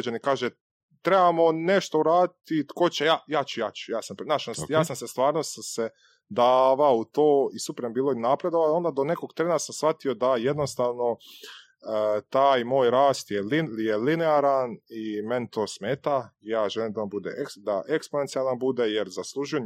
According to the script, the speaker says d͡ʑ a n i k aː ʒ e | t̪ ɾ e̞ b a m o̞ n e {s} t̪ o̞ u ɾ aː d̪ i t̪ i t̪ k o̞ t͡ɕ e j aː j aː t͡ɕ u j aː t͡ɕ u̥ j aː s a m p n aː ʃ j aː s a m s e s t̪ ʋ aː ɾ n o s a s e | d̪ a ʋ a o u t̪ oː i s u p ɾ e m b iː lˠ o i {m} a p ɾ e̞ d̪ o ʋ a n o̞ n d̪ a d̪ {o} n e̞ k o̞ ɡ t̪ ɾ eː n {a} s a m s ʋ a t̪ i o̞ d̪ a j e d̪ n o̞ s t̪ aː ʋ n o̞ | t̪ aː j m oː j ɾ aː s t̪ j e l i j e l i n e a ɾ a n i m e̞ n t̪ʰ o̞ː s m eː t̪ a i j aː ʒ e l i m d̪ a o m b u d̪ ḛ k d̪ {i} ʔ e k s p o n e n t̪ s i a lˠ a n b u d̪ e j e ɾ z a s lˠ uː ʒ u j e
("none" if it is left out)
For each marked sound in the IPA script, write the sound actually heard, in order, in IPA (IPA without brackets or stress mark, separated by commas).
ʃ, n, o, a, a